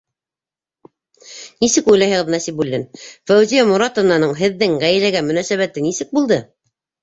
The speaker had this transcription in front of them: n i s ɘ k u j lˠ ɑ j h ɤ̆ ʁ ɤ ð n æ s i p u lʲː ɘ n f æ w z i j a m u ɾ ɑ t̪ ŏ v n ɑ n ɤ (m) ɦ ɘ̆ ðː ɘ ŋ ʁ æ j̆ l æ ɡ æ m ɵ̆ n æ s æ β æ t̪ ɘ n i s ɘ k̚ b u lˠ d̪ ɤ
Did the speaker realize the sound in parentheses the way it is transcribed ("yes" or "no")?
no